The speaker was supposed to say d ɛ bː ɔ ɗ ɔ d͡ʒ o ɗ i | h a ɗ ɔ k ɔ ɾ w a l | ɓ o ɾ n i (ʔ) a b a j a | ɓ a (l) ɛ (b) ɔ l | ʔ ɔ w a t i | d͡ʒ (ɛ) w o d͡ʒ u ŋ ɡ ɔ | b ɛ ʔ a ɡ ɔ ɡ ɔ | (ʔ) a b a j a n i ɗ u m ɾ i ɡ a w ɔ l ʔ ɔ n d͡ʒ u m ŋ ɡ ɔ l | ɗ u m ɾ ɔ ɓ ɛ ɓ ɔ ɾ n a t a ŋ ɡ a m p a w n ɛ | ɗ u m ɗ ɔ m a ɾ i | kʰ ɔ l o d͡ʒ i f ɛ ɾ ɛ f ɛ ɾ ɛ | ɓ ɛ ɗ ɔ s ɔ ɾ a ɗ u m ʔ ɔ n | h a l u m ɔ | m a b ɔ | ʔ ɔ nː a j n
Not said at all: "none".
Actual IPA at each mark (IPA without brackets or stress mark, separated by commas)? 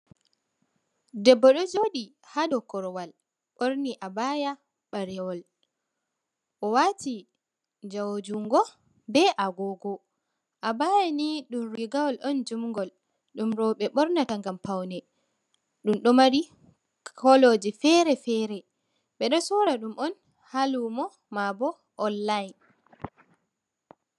ʔ, ɾ, w, a, ʔ